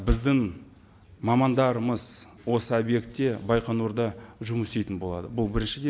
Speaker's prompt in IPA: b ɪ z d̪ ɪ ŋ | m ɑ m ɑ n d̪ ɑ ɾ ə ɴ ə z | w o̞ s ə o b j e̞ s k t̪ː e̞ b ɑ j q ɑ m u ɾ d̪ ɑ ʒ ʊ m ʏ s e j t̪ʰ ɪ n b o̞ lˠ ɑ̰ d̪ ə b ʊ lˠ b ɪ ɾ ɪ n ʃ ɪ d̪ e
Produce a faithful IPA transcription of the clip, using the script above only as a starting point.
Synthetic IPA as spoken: b ɪ z d̪ ɪ ŋ | m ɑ m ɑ n d̪ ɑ ɾ ə m ə z | w o̞ s ə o b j e̞ k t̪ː e̞ b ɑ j q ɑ n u ɾ d̪ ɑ ʒ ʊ m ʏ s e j t̪ ɪ n b o̞ lˠ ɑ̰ d̪ ə b ʊ lˠ b ɪ ɾ ɪ n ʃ ɪ d̪ e